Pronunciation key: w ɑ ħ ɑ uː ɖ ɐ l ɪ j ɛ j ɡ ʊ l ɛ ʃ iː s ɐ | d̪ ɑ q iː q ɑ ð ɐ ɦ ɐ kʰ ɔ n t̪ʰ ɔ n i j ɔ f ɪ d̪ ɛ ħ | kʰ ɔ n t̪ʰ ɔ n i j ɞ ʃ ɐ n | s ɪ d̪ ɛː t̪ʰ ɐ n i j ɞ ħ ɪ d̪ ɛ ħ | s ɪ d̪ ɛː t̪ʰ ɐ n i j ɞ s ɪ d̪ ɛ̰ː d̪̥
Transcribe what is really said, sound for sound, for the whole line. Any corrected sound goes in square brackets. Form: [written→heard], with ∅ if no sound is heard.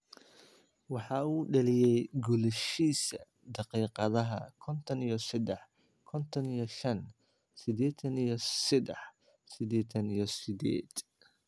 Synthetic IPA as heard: w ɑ ħ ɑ uː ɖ ɐ l ɪ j ɛ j ɡ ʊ l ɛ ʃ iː s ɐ | d̪ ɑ q iː q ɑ ð ɐ ɦ ɐ kʰ ɔ n t̪ʰ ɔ n i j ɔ [f→s] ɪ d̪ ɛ ħ | kʰ ɔ n t̪ʰ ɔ n i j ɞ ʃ ɐ n | s ɪ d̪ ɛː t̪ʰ ɐ n i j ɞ [ħ→s] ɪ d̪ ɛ ħ | s ɪ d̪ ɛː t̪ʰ ɐ n i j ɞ s ɪ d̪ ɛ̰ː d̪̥